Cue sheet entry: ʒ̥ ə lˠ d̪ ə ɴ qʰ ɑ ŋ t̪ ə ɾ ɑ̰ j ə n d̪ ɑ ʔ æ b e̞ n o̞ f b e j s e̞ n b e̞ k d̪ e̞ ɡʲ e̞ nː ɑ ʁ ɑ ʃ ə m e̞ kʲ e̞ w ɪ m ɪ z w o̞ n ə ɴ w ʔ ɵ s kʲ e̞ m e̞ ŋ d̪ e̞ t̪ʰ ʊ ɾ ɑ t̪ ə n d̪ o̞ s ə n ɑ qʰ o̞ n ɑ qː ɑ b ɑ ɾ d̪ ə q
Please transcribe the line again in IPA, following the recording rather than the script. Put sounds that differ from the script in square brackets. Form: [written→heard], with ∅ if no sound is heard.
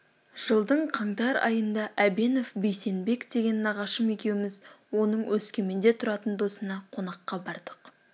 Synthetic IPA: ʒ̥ ə lˠ d̪ ə ɴ qʰ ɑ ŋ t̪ [ə→ɑ] ɾ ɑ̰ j ə n d̪ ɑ ʔ æ b e̞ n o̞ f b e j s e̞ n b e̞ k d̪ e̞ ɡʲ e̞ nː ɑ ʁ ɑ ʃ ə m e̞ kʲ e̞ w ɪ m ɪ z w o̞ n ə ɴ w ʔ ɵ s kʲ e̞ m e̞ [ŋ→n] d̪ e̞ t̪ʰ ʊ ɾ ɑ t̪ ə n d̪ o̞ s ə n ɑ qʰ o̞ n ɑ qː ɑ b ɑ ɾ d̪ ə q